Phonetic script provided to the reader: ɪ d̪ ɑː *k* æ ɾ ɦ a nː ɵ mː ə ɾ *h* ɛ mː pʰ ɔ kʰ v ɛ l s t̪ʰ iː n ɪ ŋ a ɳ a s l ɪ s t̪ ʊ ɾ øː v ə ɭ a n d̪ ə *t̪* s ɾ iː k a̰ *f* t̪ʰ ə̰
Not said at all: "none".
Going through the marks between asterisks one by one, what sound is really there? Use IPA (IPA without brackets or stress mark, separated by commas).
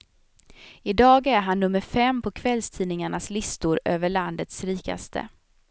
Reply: ɡ, f, t̪, s